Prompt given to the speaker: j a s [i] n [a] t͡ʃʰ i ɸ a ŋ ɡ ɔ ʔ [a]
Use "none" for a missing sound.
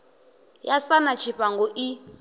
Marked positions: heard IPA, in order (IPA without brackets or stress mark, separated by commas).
a, a, i